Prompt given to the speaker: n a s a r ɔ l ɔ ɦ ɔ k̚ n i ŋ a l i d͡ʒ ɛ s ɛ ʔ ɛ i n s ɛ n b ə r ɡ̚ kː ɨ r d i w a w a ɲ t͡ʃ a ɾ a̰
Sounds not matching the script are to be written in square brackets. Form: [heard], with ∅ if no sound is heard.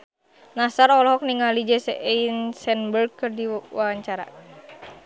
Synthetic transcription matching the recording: n a s a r ɔ l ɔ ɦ ɔ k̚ n i ŋ a l i d͡ʒ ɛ s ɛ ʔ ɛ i n s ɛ n b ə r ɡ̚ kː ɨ r d i w a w a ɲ t͡ʃ a ɾ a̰